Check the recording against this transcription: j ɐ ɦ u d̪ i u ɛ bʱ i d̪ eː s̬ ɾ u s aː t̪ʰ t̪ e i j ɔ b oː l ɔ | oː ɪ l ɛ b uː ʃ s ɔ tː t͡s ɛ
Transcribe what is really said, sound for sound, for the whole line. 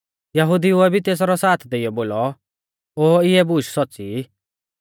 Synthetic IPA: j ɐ ɦ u d̪ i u ɛ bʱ i t̪ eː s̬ ɾ ɔ s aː t̪ʰ d̪ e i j ɔ b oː l ɔ | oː ɪ ɛ b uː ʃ s ɔ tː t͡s i